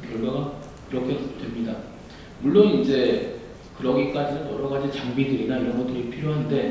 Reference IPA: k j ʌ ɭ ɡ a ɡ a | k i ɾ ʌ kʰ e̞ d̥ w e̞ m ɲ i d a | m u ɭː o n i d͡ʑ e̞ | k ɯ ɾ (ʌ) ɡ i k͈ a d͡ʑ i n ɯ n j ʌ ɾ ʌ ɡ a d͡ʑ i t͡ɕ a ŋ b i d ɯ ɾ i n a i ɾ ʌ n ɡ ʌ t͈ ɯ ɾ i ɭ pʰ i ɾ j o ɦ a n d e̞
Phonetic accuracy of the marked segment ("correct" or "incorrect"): correct